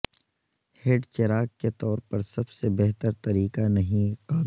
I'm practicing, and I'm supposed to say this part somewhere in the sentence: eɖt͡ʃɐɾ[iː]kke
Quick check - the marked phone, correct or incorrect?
incorrect: aː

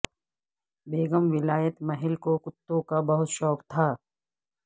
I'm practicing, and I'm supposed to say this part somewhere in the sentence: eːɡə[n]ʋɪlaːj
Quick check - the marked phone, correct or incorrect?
incorrect: m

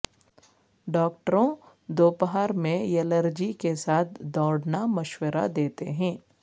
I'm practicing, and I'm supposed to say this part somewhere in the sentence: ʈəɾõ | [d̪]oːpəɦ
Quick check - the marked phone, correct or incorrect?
correct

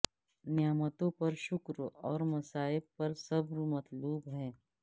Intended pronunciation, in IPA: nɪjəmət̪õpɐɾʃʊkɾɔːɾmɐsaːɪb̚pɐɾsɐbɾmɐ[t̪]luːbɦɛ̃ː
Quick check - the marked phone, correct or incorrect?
correct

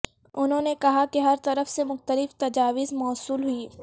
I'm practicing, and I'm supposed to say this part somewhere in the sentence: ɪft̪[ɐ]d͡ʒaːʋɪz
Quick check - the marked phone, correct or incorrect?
correct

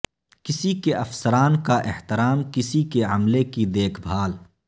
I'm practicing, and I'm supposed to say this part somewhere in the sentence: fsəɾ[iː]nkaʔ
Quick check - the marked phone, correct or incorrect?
incorrect: aː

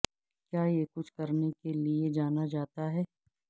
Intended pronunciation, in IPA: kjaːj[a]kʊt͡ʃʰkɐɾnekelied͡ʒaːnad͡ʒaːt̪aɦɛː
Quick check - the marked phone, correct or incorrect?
incorrect: e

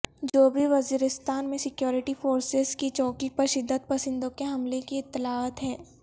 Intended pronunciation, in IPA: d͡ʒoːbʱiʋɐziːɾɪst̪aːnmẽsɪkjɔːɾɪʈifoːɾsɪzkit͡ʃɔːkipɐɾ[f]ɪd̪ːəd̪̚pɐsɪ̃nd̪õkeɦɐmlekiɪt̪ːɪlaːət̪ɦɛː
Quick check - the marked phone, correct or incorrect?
incorrect: ʃ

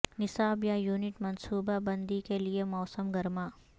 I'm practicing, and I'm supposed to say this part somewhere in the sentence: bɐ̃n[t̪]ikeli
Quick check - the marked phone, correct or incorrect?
incorrect: d̪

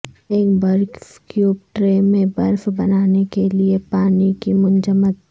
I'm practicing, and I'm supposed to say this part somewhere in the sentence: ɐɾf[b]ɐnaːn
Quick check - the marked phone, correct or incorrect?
correct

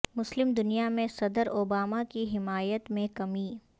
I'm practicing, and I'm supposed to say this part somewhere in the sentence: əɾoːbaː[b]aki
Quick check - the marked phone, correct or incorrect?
incorrect: m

